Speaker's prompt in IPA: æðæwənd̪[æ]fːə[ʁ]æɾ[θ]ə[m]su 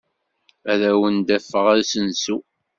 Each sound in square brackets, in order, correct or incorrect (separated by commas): correct, correct, incorrect, incorrect